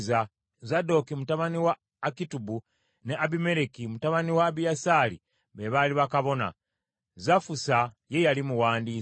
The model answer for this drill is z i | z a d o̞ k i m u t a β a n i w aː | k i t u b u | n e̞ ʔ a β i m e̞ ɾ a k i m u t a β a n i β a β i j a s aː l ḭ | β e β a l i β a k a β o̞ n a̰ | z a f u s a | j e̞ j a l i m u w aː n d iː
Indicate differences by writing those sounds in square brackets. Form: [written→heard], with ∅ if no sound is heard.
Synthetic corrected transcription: z [i→a] | z a d o̞ k i m u t a β a n i w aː | k i t u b u | n e̞ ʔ a β i m e̞ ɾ [a→e] k i m u t a β a n i [β→w] a β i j a s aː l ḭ | β e β a l i β a k a β o̞ n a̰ | z a f u s a | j e̞ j a l i m u w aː n d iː

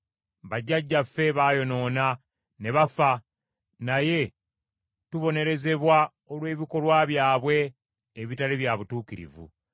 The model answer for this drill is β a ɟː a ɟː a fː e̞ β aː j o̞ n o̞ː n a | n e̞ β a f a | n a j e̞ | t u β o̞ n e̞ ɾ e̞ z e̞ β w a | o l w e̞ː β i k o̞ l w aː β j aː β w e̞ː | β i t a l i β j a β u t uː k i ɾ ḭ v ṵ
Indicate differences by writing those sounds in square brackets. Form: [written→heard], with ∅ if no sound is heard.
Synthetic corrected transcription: β a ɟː a ɟː a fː e̞ β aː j o̞ n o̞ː n a | n e̞ β a f a | n a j e̞ | t u β o̞ n e̞ ɾ e̞ z e̞ β w a | o l w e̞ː β i k o̞ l w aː β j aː β w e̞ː | β i t a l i β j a β u t uː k i ɾ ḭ v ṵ

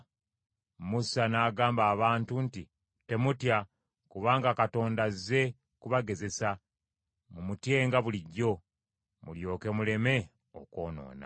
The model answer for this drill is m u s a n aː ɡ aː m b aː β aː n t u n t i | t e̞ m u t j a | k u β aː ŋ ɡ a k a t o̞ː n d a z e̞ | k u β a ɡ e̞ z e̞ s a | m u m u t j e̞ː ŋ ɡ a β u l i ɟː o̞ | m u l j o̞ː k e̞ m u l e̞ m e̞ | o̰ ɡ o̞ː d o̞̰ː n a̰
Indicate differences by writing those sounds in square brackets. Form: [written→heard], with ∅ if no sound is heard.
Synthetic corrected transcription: m u s a n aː ɡ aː m b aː β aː n t u n t i | t e̞ m u t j a | k u β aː ŋ ɡ a k a t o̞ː n d a z e̞ | k u β a ɡ e̞ z e̞ s a | m u m u t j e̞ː ŋ ɡ a β u l i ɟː o̞ | m u l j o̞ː k e̞ m u l e̞ m e̞ | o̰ [ɡ→k] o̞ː [d→n] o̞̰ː n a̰

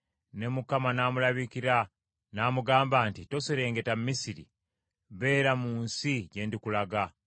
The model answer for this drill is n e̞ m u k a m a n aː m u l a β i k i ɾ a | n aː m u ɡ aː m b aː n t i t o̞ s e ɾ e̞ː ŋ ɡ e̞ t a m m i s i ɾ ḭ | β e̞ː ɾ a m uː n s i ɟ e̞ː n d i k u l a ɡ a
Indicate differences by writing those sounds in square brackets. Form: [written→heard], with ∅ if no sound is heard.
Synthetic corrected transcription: n e̞ m u k a m a n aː m u l a β i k i ɾ a | n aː m u ɡ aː m b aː n t i t o̞ s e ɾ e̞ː ŋ ɡ e̞ t a m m i s i ɾ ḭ | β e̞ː ɾ a m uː n s i ɟ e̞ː n d i k u l a ɡ a

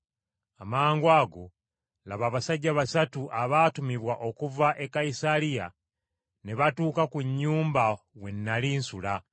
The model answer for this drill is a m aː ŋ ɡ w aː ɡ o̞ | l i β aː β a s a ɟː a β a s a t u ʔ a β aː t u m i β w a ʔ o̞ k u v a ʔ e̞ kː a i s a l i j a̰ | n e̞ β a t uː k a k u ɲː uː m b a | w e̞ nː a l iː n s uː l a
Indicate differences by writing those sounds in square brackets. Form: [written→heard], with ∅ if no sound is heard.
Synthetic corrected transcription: a m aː ŋ ɡ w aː ɡ o̞ | l [i→a] β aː β a s a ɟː a β a s a t u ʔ a β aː t u m i β w a ʔ o̞ k u v a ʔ e̞ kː a i s a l i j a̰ | n e̞ β a t uː k a k u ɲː uː m b a | w e̞ nː a l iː n s [uː→u] l a

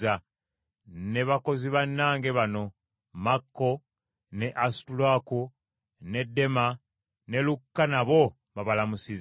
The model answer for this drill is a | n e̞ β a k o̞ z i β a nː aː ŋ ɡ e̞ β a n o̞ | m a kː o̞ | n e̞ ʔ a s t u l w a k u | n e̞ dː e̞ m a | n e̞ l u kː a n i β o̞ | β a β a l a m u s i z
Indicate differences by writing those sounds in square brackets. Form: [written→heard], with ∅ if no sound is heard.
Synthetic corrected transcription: a | n e̞ β a k o̞ z i β a nː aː ŋ ɡ e̞ β a n o̞ | m a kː o̞ | n e̞ ʔ a s t u l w a k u | n e̞ dː e̞ m a | n e̞ l u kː a n [i→a] β o̞ | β a β a l a m u s i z

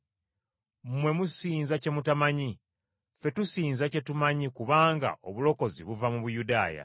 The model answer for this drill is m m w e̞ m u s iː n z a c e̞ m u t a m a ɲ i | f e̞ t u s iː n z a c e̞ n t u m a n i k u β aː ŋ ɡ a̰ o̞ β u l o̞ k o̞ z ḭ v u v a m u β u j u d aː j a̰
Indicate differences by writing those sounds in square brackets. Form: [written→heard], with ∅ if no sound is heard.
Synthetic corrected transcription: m m w e̞ m u s iː n z a c e̞ m u t a m a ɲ i | f e̞ t u s iː n z a c e̞ [n→∅] t u m a [n→ɲ] i k u β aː ŋ ɡ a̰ o̞ β u l o̞ k o̞ z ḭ [v→β] u v a m u β u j u d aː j a̰

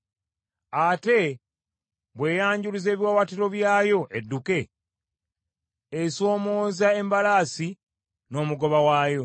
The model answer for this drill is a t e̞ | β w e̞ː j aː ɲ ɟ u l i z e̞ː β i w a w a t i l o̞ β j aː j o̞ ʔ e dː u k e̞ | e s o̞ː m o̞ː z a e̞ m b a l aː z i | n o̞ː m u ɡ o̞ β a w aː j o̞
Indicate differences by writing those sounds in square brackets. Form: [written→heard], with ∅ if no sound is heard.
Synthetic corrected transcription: a t e̞ | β w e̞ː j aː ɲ ɟ u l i z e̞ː β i w a w a t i [l→ɾ] o̞ β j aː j o̞ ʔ e dː u k e̞ | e s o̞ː m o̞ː z a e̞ m b a l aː [z→s] i | n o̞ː m u ɡ o̞ β a w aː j o̞

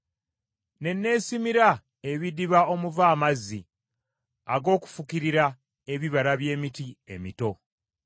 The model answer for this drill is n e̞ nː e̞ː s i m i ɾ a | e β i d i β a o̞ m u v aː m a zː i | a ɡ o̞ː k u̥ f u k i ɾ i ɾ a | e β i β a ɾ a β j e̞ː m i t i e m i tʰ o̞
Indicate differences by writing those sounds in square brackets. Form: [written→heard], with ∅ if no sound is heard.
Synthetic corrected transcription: n e̞ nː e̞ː s i m i ɾ a | e β i d i β a o̞ m u v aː m a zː i | a ɡ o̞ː k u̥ f u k i ɾ i ɾ a | e β i β a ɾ a β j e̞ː m i t i e m i [tʰ→t] o̞

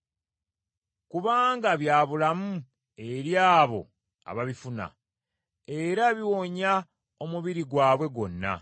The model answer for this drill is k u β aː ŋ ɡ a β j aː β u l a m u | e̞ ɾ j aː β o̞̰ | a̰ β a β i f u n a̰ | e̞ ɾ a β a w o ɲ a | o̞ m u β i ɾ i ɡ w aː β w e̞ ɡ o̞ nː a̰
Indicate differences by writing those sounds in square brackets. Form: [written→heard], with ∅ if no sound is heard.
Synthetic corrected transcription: k u β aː ŋ ɡ a β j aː β u l a m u | e̞ ɾ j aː β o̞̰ | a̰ β a β i f u n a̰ | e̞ ɾ a β [a→i] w o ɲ a | o̞ m u β i ɾ i ɡ w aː β w e̞ ɡ o̞ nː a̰

